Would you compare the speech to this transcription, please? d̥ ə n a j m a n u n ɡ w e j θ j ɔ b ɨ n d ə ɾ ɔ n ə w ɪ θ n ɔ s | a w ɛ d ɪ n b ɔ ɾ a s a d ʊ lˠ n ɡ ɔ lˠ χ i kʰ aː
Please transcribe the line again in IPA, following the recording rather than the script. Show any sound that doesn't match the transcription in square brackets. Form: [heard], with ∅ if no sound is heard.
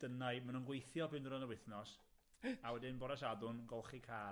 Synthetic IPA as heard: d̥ ə n a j m a n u n ɡ w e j θ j ɔ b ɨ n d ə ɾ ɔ n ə w ɪ θ n ɔ s | a w ɛ d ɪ n b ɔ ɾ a s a d ʊ [∅] n ɡ ɔ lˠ χ i kʰ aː